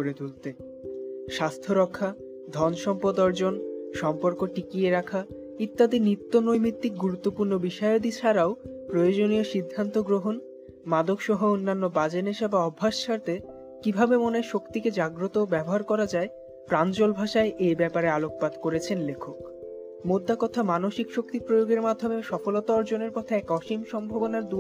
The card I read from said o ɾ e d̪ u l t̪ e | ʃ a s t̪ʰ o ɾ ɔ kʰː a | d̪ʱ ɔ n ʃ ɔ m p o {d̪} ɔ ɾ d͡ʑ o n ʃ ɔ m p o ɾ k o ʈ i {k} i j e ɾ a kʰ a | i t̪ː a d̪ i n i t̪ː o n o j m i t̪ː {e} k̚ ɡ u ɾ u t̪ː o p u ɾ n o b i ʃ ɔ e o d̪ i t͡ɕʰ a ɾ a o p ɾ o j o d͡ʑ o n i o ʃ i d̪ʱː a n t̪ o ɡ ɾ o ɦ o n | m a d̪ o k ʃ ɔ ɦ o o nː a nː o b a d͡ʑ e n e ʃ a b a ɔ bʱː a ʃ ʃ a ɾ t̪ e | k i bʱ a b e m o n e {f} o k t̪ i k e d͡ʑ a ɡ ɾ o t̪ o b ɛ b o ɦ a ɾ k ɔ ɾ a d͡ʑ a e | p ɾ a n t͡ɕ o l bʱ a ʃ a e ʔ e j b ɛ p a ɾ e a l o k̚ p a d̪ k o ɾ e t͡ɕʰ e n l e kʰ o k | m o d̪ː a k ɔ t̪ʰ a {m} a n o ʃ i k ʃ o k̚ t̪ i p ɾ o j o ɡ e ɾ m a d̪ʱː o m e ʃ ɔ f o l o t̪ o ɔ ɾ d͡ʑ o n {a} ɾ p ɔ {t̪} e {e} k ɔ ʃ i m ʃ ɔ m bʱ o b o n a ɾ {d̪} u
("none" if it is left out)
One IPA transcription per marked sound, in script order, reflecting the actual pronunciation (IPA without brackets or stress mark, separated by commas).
d̪, k, i, ʃ, m, e, t̪ʰ, ɛ, d̪